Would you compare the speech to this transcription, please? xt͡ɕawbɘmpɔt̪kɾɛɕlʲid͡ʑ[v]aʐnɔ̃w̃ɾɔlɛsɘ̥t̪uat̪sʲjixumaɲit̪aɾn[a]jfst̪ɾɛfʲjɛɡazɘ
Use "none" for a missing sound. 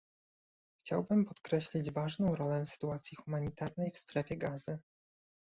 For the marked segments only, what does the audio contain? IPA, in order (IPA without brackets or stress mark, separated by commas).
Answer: v, ɛ